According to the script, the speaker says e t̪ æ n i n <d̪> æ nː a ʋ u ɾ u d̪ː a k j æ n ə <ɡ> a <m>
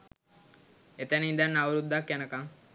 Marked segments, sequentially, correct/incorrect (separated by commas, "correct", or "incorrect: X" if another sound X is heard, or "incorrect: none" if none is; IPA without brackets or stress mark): correct, incorrect: k, incorrect: ŋ